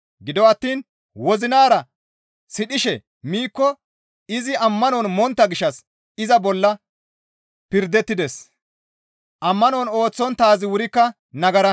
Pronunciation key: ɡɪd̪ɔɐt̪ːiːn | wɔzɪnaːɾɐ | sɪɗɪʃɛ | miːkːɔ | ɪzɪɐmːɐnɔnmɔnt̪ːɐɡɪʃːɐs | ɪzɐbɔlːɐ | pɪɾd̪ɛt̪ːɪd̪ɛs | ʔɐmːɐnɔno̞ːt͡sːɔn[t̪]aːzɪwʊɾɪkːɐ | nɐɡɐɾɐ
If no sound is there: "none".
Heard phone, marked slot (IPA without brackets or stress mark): t̪